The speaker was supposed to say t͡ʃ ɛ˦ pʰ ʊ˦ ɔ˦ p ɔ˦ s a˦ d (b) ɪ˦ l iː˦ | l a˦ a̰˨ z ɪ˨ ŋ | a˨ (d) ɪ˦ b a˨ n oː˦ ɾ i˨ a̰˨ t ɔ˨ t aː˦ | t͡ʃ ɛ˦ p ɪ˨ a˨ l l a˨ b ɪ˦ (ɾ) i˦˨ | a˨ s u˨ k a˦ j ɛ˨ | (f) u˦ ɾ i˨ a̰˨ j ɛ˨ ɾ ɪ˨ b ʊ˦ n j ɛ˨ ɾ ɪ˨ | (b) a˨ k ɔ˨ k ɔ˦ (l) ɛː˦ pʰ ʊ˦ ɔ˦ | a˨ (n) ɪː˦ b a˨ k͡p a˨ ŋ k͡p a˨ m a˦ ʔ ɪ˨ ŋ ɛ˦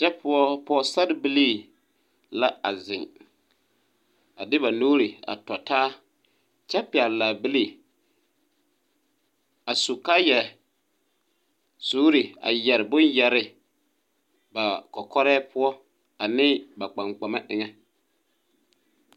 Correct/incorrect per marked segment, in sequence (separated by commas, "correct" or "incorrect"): correct, correct, incorrect, incorrect, correct, incorrect, correct